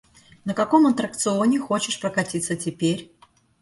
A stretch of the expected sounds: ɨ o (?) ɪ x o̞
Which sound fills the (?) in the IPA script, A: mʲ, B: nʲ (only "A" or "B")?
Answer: B